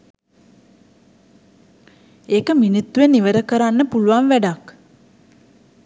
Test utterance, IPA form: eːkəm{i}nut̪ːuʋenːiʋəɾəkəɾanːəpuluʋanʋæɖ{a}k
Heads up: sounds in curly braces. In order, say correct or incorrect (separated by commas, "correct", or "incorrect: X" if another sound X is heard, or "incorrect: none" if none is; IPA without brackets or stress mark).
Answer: correct, correct